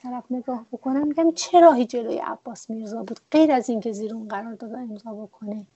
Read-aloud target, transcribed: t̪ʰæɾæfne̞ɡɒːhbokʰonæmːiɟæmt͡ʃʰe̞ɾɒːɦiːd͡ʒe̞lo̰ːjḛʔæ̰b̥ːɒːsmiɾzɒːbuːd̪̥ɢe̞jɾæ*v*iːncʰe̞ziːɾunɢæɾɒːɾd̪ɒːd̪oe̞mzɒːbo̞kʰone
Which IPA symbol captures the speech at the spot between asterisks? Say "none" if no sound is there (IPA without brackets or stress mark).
z